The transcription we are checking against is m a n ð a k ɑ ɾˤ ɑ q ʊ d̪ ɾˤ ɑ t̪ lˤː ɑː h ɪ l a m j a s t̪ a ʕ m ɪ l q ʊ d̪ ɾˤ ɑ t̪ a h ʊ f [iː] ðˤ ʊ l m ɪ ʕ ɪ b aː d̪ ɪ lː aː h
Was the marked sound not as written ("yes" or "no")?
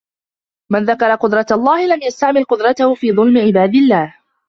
no